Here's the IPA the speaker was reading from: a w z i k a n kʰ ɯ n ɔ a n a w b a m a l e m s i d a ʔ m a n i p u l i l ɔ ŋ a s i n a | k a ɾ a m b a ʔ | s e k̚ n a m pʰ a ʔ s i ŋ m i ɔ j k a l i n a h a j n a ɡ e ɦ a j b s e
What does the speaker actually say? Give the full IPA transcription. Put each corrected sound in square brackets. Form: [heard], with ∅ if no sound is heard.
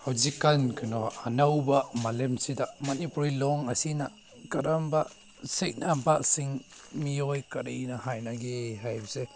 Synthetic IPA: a w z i k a n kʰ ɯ n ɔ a n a w b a m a l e m s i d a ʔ m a n i p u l i l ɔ ŋ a s i n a | k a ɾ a m b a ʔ | s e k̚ n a m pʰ a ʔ s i ŋ m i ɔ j k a [ɾ] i n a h a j n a ɡ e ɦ a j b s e